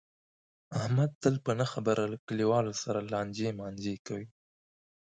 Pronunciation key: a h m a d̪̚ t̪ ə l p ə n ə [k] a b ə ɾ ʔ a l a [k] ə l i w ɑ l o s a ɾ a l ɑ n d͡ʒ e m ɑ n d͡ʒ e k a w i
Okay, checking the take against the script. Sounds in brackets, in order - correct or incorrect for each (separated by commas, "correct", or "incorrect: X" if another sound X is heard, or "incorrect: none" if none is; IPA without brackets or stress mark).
incorrect: x, correct